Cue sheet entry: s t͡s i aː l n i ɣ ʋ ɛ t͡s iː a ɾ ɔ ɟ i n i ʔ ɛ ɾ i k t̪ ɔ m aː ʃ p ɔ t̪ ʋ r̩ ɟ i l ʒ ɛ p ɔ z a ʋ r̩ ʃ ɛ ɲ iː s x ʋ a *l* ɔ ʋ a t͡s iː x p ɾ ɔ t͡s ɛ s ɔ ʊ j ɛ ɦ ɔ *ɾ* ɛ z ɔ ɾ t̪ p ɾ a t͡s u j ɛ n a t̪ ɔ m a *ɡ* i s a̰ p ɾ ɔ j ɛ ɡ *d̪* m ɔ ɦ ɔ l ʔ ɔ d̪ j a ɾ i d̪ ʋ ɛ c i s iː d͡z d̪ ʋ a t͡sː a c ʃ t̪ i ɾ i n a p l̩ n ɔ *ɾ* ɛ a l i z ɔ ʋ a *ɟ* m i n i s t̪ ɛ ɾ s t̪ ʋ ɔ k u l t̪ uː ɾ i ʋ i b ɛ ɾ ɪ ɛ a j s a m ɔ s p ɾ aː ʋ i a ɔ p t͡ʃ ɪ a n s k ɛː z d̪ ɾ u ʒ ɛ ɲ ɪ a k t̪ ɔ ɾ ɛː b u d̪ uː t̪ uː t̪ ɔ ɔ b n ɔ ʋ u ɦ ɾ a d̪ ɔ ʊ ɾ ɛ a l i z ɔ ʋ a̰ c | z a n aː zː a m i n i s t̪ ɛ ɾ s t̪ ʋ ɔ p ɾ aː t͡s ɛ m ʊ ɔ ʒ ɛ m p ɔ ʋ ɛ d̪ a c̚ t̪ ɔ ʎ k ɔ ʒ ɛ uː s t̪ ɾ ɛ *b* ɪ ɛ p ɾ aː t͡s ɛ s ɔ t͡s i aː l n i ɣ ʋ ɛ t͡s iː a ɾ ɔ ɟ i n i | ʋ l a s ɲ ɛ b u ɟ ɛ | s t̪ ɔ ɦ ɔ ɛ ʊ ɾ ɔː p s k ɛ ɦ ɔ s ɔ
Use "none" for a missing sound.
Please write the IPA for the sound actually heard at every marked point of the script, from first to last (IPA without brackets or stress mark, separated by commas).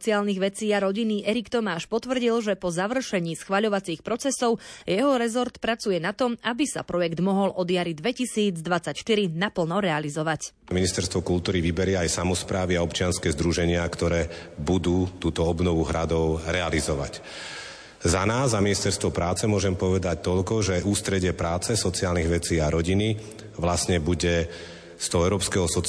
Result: ʎ, ɾ, b, d̪, ɾ, c, ɟ